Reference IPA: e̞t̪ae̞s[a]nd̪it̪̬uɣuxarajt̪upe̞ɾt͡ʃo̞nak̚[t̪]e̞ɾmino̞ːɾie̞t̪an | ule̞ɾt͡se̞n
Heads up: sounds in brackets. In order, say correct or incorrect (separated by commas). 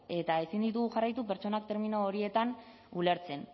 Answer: incorrect, correct